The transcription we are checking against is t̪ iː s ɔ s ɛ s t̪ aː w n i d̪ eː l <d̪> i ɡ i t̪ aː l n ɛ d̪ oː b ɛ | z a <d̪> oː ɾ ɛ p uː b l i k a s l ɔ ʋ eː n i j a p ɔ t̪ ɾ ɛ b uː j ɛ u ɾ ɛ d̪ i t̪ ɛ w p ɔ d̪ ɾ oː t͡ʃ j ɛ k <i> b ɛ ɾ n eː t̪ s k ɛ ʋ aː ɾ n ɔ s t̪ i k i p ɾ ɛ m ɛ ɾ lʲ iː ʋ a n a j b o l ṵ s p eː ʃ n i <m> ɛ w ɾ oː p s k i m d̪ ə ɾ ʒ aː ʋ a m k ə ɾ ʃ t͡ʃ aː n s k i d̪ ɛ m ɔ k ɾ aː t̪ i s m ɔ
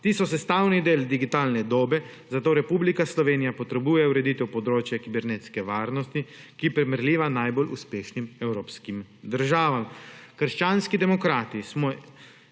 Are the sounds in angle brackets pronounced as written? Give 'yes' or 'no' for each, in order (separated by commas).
yes, no, yes, yes